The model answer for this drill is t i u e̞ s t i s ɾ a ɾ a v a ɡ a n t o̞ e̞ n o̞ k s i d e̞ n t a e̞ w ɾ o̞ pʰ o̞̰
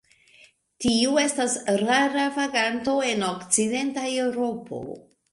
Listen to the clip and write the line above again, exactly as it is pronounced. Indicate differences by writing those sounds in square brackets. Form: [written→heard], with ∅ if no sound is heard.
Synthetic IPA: t i u e̞ s t [i→a] s ɾ a ɾ a v a ɡ a n t o̞ e̞ n o̞ k [s→t͡s] i d e̞ n t a e̞ w ɾ o̞ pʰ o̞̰

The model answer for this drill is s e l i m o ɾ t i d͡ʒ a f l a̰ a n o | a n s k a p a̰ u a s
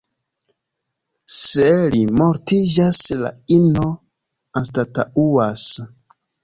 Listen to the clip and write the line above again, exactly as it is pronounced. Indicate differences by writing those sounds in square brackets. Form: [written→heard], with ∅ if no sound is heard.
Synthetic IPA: s e l i m o ɾ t i d͡ʒ a [f→s] l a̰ [a→i] n o | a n s [k→t] a [p→t] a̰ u a s

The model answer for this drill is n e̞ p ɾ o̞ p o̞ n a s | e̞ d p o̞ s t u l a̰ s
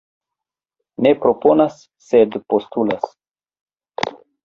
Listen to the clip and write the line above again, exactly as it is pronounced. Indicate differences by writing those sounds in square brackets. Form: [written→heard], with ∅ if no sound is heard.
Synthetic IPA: n e̞ p ɾ o̞ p o̞ n a [s→sː] | e̞ d p o̞ s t u l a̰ s

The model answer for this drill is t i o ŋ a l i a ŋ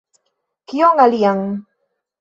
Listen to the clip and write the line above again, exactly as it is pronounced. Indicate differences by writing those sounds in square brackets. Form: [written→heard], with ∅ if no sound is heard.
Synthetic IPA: [t→k] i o ŋ a l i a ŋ

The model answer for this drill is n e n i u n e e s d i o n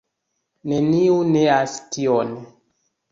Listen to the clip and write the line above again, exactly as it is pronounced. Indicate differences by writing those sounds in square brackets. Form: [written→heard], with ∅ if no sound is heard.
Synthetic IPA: n e n i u n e [e→a] s [d→t] i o n

